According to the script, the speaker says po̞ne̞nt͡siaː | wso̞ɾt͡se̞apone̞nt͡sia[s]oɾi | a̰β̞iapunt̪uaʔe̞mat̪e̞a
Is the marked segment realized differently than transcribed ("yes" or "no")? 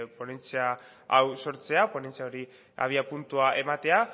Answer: yes